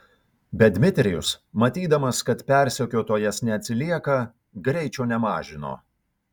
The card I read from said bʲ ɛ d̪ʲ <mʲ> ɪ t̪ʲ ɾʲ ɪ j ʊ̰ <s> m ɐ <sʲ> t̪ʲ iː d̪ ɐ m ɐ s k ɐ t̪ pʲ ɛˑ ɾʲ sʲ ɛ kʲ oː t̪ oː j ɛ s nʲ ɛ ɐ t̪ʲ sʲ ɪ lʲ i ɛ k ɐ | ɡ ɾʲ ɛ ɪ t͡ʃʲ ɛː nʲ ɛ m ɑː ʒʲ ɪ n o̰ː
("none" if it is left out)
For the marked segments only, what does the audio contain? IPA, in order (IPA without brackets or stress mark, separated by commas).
mʲ, s, none